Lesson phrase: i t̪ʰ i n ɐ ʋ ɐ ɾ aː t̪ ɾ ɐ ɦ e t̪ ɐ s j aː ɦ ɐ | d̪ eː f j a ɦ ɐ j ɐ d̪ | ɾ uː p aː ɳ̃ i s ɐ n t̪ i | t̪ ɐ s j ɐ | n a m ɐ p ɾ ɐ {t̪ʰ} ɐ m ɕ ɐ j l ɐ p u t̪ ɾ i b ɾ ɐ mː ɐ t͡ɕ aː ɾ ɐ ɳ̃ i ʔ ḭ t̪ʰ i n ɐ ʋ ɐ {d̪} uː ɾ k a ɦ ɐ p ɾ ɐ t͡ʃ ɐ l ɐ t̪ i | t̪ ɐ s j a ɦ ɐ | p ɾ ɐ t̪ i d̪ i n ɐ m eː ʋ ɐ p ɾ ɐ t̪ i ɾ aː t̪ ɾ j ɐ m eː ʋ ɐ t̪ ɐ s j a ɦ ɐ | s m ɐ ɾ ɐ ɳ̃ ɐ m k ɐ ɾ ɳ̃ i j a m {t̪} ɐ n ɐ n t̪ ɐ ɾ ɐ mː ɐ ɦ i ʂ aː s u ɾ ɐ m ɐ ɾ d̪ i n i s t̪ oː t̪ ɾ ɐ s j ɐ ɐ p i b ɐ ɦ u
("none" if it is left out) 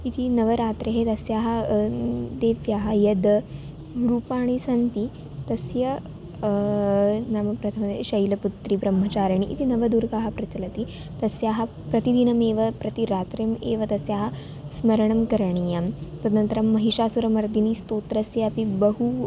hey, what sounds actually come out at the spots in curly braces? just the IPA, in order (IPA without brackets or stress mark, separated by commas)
t̪ʰ, d̪, t̪